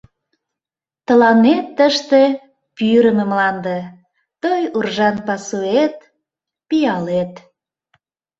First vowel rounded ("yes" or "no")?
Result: no